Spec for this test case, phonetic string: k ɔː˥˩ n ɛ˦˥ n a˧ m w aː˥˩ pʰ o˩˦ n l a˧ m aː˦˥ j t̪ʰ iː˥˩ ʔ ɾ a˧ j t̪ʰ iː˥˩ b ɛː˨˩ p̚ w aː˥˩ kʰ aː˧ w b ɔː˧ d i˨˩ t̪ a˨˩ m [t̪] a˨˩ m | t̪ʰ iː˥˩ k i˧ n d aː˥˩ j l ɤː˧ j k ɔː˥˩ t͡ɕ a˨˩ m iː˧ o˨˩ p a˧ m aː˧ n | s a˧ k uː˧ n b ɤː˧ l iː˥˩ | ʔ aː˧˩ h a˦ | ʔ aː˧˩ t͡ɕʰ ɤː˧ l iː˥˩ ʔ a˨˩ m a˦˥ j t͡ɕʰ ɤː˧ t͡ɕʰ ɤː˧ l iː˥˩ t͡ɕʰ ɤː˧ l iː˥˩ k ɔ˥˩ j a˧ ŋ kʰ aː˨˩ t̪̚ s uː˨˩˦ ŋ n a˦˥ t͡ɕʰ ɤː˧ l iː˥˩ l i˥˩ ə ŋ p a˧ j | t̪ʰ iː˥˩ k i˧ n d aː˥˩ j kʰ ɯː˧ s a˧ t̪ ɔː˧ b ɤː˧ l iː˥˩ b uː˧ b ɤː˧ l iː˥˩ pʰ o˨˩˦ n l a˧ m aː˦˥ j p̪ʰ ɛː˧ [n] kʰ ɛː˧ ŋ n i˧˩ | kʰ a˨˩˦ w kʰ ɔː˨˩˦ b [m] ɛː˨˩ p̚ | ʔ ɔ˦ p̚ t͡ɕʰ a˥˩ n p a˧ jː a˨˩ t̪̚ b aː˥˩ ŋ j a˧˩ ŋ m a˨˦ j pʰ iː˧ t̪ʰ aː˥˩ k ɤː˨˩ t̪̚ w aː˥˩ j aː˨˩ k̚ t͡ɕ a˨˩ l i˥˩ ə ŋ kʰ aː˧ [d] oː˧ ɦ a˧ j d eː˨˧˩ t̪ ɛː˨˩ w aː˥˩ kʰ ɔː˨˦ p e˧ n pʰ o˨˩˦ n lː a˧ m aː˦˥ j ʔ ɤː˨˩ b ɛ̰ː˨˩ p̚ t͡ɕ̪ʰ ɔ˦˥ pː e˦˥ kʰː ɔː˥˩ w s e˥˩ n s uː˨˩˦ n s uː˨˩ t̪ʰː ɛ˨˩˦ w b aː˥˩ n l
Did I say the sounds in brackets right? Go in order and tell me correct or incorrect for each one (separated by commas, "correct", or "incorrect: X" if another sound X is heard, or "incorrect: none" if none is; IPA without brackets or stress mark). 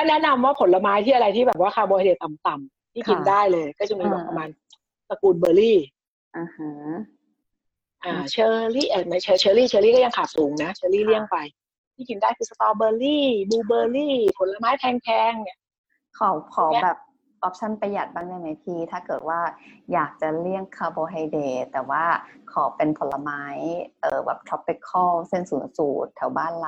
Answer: correct, incorrect: ŋ, incorrect: b, incorrect: b